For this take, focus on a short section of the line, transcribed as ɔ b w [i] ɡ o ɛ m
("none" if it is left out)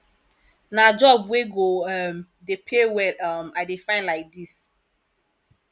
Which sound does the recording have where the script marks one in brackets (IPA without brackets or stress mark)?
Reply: e